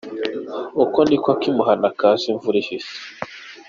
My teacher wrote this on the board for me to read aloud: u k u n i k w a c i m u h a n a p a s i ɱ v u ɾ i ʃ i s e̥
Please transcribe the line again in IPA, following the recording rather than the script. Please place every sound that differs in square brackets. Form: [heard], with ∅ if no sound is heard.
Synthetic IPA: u k [o] n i k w a [k] i m u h a n a [k] a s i ɱ v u ɾ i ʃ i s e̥